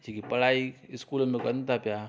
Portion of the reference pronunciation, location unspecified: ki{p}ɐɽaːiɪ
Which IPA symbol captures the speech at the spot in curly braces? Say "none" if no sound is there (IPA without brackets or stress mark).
p